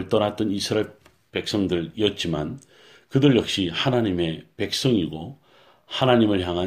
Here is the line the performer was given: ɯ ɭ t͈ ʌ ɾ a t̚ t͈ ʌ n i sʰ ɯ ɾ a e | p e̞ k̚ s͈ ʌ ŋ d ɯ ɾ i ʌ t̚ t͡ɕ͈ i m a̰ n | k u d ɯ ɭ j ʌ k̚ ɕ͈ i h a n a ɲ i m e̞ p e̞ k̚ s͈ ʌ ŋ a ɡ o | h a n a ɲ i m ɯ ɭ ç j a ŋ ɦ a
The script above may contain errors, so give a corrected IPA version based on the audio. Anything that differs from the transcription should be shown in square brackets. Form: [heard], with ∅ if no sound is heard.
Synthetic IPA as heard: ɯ ɭ t͈ ʌ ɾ a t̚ t͈ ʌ n i sʰ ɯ ɾ a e | p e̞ k̚ s͈ ʌ ŋ d ɯ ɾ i ʌ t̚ t͡ɕ͈ i m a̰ n | k [ɯ] d ɯ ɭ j ʌ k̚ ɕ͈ i h a n a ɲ i m e̞ p e̞ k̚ s͈ ʌ ŋ [i] ɡ o | h a n a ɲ i m ɯ ɭ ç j a ŋ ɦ a